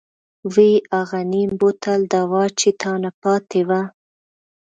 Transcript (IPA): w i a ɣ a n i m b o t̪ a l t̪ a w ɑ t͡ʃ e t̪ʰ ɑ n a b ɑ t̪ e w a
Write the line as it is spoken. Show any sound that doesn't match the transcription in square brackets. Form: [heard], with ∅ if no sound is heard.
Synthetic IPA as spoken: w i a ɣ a n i m b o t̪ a l [d̪] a w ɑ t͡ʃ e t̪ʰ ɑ n a [p] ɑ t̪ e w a